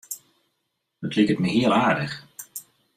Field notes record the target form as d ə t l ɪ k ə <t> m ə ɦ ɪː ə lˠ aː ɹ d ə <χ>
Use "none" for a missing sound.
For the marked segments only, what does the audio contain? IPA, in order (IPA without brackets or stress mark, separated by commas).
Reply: t, χ